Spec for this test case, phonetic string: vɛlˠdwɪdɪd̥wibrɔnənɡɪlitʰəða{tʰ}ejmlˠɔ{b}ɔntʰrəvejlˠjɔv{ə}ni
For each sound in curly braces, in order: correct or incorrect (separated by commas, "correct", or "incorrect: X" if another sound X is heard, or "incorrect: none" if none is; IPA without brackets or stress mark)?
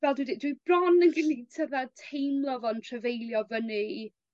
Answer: correct, incorrect: v, correct